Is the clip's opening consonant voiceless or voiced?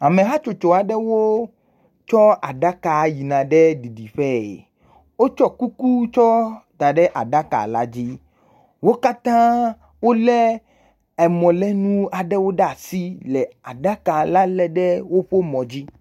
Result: voiced